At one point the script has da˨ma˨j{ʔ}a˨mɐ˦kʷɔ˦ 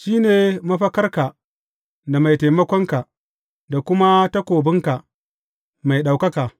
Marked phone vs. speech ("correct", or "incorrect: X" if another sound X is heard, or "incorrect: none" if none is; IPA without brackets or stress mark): incorrect: t